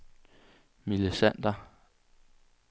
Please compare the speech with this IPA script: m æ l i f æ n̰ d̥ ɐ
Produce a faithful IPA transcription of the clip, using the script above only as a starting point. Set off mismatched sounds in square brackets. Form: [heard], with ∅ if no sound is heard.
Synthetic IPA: m [i] l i [s] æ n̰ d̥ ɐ